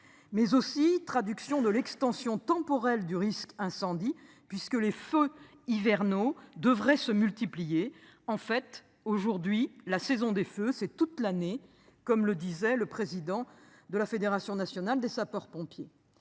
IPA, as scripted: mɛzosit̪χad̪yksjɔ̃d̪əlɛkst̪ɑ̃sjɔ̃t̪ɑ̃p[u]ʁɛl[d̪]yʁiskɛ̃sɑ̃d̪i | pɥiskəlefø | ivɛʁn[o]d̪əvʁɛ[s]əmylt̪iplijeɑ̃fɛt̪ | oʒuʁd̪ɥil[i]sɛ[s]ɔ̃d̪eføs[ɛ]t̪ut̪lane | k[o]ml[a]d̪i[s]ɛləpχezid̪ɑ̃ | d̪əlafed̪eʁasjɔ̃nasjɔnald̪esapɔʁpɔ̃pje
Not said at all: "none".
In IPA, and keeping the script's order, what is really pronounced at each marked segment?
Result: ɔ, d̪, o, s, a, z, ɛ, ɔ, ə, z

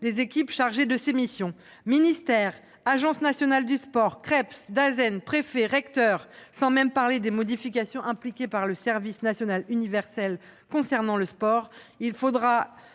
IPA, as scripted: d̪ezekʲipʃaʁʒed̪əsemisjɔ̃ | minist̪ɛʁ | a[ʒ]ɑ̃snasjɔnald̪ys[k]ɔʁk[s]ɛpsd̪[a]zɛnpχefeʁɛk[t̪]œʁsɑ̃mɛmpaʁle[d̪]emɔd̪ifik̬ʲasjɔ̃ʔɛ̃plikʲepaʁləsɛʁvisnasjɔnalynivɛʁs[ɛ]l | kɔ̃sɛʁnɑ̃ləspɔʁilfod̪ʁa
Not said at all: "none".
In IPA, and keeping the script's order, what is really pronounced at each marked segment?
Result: ʒ, p, χ, a, t̪, d̪, ɛ

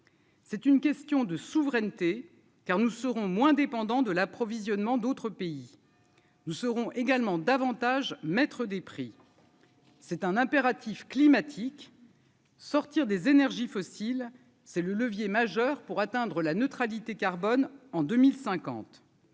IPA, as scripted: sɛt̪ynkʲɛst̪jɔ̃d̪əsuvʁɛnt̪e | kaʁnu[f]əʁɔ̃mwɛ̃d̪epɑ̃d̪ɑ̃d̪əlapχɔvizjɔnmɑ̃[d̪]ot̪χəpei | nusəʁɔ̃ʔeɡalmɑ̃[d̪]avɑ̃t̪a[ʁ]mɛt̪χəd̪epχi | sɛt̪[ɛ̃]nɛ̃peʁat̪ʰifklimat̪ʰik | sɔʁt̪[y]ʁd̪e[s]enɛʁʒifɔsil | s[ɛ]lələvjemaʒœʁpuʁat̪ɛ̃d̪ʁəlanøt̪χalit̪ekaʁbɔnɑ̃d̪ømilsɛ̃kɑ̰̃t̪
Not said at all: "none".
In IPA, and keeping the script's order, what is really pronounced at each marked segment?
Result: s, d̪, d̪, ʒ, ɛ̃, i, z, ɛ

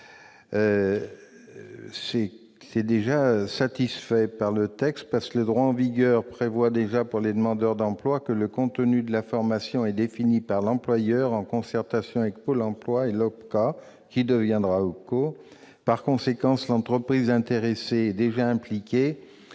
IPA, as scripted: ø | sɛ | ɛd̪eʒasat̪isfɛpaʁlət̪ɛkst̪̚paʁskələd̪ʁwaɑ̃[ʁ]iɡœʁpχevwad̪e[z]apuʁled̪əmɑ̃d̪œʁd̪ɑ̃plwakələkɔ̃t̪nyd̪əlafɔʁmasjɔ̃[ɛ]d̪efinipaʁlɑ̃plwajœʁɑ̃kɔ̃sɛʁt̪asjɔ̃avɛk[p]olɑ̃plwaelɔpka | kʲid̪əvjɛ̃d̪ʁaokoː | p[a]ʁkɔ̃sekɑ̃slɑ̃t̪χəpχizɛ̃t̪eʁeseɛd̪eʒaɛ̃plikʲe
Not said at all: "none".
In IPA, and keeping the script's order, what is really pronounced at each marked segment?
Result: v, ʒ, ɛ, p, a

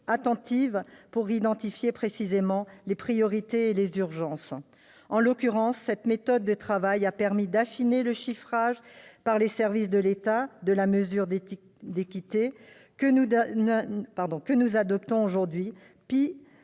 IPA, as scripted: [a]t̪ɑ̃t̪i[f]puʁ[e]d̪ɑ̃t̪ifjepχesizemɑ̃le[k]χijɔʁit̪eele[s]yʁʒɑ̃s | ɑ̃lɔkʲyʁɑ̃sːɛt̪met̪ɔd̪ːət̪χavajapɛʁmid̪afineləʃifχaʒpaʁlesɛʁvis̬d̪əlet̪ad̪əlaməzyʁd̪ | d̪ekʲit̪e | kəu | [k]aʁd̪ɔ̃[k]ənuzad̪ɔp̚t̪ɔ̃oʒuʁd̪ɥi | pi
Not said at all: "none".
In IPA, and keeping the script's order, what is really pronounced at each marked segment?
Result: a, v, i, p, z, p, k

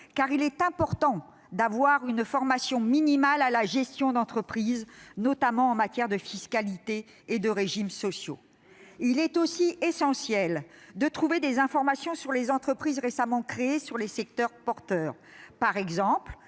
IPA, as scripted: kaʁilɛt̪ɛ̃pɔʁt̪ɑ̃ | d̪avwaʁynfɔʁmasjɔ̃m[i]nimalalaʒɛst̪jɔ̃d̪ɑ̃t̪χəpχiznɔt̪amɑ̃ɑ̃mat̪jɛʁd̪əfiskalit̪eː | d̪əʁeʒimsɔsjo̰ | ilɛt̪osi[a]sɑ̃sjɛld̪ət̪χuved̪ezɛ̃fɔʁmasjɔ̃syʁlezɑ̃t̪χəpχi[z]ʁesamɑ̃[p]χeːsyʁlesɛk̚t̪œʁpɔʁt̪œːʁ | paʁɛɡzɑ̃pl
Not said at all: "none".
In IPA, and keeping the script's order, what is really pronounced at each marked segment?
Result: i, e, z, k

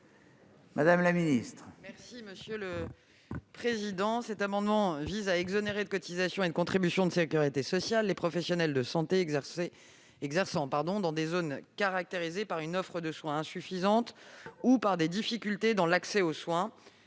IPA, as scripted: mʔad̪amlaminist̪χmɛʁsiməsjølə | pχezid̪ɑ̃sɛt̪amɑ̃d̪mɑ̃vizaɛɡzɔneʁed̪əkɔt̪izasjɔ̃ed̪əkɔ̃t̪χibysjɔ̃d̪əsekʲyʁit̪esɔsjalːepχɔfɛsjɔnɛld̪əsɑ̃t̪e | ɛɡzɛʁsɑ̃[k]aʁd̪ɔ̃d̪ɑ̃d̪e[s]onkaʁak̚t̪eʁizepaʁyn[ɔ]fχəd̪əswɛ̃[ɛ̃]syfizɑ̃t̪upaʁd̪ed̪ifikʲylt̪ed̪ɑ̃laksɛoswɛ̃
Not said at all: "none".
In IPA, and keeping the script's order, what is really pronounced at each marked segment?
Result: p, z, ɔ, ɛ̃

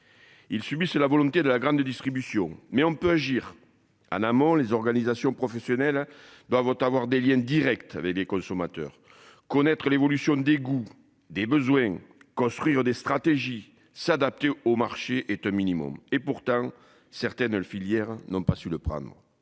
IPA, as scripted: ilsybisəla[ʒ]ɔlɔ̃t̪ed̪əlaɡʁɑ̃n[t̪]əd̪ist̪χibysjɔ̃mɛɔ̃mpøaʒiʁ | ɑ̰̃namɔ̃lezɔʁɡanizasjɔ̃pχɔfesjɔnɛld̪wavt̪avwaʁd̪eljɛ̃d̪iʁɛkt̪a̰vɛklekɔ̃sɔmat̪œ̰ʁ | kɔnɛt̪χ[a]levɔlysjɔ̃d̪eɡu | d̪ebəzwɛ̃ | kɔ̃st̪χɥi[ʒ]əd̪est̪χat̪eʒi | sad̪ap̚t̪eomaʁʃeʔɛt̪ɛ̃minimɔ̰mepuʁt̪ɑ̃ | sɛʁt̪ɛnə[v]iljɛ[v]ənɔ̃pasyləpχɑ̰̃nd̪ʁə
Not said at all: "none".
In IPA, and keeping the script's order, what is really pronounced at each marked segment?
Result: v, d̪, ə, ʁ, f, ʁ

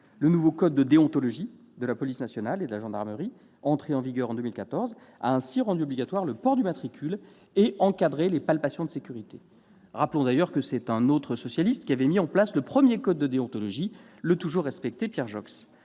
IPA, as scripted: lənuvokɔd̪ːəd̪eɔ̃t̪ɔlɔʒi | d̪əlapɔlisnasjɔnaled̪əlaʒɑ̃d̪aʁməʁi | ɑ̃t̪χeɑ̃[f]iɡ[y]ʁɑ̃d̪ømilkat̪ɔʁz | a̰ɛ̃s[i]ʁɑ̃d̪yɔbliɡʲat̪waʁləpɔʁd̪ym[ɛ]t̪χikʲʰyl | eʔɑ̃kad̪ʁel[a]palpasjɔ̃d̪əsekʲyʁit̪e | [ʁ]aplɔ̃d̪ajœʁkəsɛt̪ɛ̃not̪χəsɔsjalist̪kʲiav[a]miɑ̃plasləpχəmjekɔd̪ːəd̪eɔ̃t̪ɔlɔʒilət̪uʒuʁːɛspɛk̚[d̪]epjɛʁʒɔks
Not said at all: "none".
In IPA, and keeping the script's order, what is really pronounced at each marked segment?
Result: v, œ, i, a, e, ʁ, ɛ, t̪

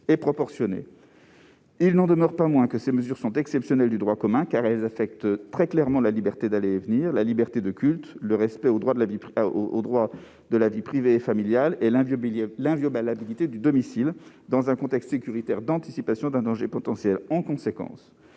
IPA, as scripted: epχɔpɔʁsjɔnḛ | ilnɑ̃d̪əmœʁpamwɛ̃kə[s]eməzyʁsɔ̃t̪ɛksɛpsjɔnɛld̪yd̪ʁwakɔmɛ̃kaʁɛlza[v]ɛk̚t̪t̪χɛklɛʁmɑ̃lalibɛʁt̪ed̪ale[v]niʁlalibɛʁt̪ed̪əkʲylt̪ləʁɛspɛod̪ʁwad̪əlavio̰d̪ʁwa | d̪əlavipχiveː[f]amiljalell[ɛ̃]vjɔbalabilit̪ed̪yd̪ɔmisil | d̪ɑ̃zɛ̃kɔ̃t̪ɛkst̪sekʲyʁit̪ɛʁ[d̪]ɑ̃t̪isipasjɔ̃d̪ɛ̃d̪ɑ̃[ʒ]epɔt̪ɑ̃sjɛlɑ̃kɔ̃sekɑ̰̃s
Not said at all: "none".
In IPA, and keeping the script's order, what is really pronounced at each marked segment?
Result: s, f, v, f, ɛ̃, d̪, ʒ

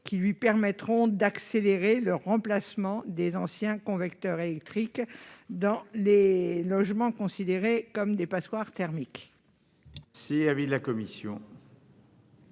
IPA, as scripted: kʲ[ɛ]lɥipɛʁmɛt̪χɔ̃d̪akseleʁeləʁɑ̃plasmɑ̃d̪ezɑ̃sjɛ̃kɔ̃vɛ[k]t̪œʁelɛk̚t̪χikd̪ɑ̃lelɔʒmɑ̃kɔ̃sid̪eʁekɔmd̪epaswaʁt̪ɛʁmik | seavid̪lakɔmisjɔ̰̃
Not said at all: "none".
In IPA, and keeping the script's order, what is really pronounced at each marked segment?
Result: i, k

